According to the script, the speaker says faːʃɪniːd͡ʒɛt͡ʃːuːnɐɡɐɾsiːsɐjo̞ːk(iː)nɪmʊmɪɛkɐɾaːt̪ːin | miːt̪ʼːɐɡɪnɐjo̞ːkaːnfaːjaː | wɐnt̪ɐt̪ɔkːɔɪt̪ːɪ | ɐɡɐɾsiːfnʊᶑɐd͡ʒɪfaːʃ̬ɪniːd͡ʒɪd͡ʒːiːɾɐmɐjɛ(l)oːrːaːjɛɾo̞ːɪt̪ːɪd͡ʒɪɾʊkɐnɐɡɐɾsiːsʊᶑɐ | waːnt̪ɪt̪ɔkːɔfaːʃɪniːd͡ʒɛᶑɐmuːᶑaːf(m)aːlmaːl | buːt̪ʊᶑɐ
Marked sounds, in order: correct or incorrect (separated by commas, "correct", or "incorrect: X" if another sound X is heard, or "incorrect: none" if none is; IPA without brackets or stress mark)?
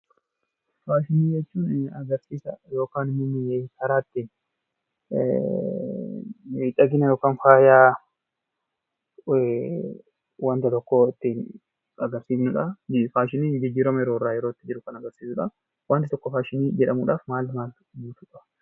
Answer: incorrect: aː, incorrect: ɾ, correct